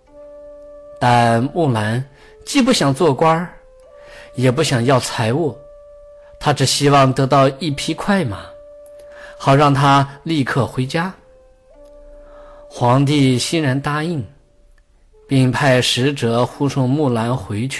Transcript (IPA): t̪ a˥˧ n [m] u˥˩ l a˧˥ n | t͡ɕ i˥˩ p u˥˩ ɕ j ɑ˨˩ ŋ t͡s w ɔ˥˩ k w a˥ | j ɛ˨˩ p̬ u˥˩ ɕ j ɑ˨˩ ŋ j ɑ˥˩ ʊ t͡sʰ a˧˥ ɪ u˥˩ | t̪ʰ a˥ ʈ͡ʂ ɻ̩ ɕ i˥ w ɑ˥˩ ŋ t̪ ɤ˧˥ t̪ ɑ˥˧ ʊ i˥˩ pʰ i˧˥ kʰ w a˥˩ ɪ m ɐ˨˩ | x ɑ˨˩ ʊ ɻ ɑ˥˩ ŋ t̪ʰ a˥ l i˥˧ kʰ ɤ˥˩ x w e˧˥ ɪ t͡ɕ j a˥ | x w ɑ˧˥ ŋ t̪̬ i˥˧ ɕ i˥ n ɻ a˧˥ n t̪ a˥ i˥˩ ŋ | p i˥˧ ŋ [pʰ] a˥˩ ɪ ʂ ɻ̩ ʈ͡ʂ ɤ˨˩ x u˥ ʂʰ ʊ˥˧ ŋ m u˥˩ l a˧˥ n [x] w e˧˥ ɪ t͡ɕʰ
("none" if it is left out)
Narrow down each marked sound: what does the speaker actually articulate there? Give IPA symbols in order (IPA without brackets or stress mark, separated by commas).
m, pʰ, x